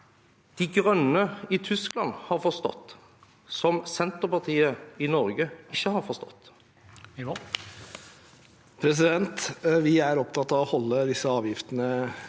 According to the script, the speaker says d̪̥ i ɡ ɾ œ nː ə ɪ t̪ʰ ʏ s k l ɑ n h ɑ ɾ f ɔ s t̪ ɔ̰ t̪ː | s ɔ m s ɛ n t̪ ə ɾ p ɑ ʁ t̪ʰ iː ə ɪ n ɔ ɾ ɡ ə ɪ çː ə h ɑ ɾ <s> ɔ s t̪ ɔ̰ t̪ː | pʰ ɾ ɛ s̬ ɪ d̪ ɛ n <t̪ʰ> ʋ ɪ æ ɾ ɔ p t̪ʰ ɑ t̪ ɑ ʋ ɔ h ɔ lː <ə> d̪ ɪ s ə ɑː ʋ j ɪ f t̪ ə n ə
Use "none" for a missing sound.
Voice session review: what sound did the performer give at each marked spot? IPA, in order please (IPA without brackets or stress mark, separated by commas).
f, t̪, ə